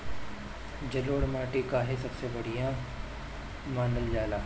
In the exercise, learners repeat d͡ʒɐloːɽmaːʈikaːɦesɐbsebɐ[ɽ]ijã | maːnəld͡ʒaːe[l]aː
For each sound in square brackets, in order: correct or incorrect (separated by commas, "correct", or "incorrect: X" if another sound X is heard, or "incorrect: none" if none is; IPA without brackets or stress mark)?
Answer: correct, correct